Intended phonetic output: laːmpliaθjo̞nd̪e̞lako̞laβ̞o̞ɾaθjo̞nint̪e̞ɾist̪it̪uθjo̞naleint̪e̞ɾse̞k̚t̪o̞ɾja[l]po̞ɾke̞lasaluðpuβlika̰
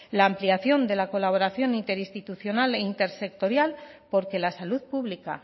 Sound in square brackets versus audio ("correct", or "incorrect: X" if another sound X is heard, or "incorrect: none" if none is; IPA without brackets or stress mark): correct